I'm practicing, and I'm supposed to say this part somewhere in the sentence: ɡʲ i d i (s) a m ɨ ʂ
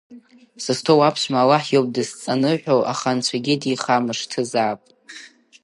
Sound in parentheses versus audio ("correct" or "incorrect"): incorrect